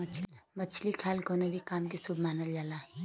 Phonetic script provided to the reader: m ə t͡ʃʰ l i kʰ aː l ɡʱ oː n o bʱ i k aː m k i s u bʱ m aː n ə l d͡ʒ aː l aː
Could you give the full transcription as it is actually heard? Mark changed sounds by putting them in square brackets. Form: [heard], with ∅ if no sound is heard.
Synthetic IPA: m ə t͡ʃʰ l i kʰ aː l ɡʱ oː n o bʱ i k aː m k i s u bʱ m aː n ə l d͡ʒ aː l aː